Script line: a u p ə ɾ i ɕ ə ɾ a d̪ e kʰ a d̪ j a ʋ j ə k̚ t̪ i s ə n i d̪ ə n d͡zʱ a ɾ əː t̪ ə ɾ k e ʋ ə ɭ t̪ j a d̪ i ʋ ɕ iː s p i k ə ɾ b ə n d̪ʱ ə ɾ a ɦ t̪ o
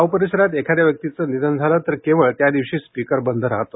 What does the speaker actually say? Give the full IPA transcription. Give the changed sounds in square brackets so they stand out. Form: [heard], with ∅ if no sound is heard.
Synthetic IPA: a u p ə ɾ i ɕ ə ɾ a [t̪] e kʰ a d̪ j a ʋ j ə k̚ t̪ i [t͡s] ə n i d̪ ə n d͡zʱ a [l] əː t̪ ə ɾ k e ʋ ə ɭ t̪ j a d̪ i ʋ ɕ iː s p i k ə ɾ b ə n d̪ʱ ə ɾ a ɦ t̪ o

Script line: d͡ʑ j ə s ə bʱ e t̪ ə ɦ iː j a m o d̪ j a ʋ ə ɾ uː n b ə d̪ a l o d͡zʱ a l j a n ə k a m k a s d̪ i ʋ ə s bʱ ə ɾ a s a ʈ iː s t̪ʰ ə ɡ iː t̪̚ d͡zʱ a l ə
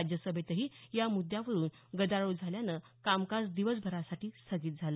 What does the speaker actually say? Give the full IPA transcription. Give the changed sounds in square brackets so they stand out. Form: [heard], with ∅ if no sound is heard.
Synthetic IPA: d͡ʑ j ə s ə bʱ e t̪ ə ɦ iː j a m [u] d̪ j a ʋ ə ɾ uː n [ɡ] ə d̪ a [ɭ] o d͡zʱ a l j a n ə k a m k a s d̪ i ʋ ə s bʱ ə ɾ a s a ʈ iː s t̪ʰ ə ɡ iː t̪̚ d͡zʱ a l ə

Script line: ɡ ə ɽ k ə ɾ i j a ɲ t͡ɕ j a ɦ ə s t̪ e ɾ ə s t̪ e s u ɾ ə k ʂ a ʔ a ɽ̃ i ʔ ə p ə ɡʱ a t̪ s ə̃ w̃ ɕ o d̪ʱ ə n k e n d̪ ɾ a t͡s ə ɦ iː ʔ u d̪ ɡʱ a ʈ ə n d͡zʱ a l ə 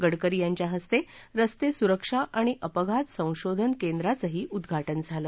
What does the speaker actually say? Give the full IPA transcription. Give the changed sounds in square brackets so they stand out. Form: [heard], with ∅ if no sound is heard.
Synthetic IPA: ɡ ə ɽ k ə ɾ i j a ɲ t͡ɕ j a ɦ ə s t̪ e ɾ ə s t̪ e s u ɾ ə k ʂ a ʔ a ɽ̃ i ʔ ə p ə ɡʱ a t̪ s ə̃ w̃ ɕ o d̪ʱ ə n k e n d̪ ɾ a t͡s ə ɦ iː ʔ u d̪ ɡʱ a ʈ ə n d͡zʱ a l ə

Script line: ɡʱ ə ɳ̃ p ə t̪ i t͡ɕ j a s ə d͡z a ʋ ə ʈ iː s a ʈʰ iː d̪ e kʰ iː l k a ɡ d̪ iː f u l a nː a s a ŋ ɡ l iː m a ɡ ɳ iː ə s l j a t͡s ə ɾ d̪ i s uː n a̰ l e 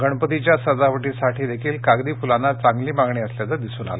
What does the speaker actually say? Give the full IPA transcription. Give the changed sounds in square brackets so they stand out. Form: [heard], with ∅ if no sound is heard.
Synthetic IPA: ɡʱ ə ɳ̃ p ə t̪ i t͡ɕ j a s ə d͡z a ʋ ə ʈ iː s a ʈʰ iː d̪ e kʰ iː l k a ɡ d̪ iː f u l a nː a [t͡s] a ŋ ɡ l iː m a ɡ ɳ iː ə s l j a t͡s ə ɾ d̪ i s uː n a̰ l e

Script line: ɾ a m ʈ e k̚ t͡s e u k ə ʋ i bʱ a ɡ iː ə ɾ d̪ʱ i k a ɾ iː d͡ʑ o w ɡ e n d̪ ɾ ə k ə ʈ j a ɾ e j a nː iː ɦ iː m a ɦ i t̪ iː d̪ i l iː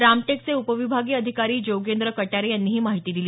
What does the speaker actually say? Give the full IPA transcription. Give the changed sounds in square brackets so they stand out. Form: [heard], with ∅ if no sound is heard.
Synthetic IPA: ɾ a m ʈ e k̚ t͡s e u [p] ə ʋ i bʱ a ɡ iː ə [∅] d̪ʱ i k a ɾ iː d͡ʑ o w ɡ e n d̪ ɾ ə k ə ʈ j a ɾ e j a nː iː ɦ iː m a ɦ i t̪ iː d̪ i l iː

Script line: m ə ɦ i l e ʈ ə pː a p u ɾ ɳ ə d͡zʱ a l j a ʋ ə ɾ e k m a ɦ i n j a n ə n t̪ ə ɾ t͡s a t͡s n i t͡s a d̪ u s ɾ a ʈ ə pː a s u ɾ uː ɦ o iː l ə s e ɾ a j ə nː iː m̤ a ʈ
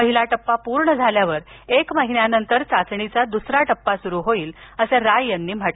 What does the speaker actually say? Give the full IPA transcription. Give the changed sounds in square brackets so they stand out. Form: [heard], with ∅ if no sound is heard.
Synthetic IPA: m ə ɦ i l [a] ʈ ə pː a p u ɾ ɳ ə d͡zʱ a l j a ʋ ə ɾ e k m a ɦ i n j a n ə n t̪ ə ɾ t͡s a t͡s [ɳ] i t͡s a d̪ u s ɾ a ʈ ə pː a s u ɾ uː ɦ o iː l ə s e ɾ a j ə nː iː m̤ a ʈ

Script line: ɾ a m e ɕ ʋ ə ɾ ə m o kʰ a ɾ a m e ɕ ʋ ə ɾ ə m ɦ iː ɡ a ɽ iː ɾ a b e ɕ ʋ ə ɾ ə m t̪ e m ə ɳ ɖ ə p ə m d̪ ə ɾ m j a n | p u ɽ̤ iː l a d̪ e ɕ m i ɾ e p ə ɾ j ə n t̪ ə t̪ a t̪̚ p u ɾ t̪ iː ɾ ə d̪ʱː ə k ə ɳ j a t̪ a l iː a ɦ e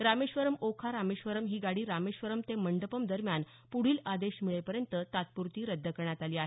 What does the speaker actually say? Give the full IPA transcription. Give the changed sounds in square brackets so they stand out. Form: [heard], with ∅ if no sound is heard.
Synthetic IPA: ɾ a m e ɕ ʋ ə ɾ ə m o kʰ a ɾ a m e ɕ ʋ ə ɾ ə m ɦ iː ɡ a ɽ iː ɾ a [m] e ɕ ʋ ə ɾ ə m t̪ e m ə ɳ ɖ ə p ə m d̪ ə ɾ m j a n | p u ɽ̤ iː l a d̪ e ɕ m i [ɭ] e p ə ɾ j ə n t̪ ə t̪ a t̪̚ p u ɾ t̪ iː ɾ ə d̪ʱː ə k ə ɳ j a t̪ a l iː a ɦ e

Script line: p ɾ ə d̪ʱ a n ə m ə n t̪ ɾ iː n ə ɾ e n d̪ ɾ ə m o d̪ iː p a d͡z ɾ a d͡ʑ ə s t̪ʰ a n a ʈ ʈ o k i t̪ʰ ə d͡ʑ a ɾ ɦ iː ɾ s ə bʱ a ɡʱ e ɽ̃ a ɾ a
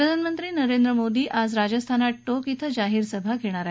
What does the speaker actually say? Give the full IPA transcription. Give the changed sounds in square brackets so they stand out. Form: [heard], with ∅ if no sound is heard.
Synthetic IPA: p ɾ ə d̪ʱ a n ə m ə n t̪ ɾ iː n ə ɾ e n d̪ ɾ ə m o d̪ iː [ʔ] a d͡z ɾ a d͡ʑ ə s t̪ʰ a n a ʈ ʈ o k i t̪ʰ ə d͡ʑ a [∅] ɦ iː ɾ s ə bʱ a ɡʱ e ɽ̃ a ɾ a

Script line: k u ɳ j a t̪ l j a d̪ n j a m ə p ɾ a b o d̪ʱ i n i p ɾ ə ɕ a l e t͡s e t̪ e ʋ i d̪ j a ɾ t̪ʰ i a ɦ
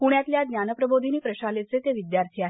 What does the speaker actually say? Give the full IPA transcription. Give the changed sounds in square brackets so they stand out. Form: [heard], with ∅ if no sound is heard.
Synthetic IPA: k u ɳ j a t̪ l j a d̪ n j a [n] ə p ɾ [ə] b o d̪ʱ i n i p ɾ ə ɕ a l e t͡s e t̪ e ʋ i d̪ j a ɾ t̪ʰ i a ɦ

